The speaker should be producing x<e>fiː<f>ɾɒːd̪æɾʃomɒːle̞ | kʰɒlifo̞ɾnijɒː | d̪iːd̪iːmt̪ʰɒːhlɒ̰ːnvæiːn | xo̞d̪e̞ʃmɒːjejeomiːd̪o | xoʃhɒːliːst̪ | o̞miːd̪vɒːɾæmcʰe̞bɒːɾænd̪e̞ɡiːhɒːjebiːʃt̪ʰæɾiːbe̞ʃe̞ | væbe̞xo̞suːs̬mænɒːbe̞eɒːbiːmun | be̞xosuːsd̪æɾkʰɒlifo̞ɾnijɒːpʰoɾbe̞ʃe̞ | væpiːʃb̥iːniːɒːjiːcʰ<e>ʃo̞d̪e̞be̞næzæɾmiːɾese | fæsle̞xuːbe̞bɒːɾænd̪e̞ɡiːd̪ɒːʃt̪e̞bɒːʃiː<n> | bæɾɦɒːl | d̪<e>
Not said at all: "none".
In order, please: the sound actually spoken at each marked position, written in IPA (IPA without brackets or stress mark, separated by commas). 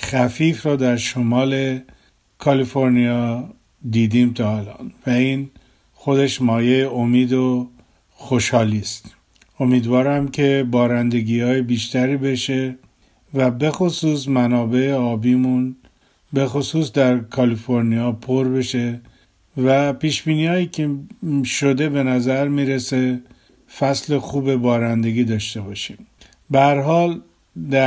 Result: æ, f, e, m, æ